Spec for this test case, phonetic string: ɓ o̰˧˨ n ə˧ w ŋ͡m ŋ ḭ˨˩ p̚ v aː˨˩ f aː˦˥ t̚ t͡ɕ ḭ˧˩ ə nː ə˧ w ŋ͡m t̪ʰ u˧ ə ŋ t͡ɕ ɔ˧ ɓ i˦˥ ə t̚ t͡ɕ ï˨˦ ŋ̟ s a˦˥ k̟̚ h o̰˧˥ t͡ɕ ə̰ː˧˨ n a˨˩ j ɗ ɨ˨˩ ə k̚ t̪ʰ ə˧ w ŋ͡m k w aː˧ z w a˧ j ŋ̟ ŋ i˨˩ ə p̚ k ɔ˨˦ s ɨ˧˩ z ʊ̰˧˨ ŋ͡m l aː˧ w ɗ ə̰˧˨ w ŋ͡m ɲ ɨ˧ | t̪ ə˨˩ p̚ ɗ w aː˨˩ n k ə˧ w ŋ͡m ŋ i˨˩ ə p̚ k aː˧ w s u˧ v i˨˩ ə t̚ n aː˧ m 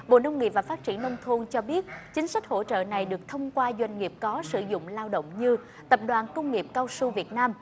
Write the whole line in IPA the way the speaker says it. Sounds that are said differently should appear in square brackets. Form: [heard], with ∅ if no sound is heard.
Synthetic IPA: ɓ o̰˧˨ n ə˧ w ŋ͡m ŋ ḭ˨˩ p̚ v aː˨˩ f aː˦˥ t̚ t͡ɕ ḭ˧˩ ə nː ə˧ w ŋ͡m t̪ʰ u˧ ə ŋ t͡ɕ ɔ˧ ɓ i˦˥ ə t̚ t͡ɕ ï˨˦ ŋ̟ s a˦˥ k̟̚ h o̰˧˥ t͡ɕ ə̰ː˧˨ n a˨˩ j ɗ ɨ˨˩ ə k̚ t̪ʰ ə˧ w ŋ͡m k w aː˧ z w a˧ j ŋ̟ ŋ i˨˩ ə p̚ k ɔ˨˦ s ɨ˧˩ z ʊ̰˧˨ ŋ͡m l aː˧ w ɗ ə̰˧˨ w ŋ͡m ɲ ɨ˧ | t̪ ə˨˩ p̚ ɗ w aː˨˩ n k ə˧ w ŋ͡m ŋ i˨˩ ə p̚ k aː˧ w s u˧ v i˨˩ ə t̚ n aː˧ m